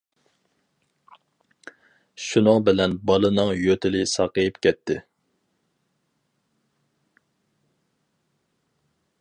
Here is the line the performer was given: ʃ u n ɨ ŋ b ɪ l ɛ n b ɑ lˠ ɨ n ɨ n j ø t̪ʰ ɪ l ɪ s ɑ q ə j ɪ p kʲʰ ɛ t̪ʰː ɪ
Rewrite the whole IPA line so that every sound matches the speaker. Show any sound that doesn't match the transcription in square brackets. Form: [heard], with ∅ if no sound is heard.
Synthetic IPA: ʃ u n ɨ ŋ b ɪ l ɛ n b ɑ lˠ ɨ n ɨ [ŋ] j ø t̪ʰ ɪ l ɪ s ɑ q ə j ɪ p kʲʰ ɛ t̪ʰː ɪ